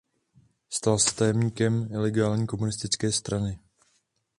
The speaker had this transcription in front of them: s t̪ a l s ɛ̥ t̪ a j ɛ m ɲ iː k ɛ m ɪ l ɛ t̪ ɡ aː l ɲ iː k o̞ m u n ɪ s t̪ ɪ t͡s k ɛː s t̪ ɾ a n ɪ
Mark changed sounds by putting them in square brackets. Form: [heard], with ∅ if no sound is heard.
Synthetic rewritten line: s t̪ a l s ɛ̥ t̪ a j ɛ m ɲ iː k ɛ m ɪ l ɛ [∅] ɡ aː l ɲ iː k o̞ m u n ɪ s t̪ ɪ t͡s k ɛː s t̪ ɾ a n ɪ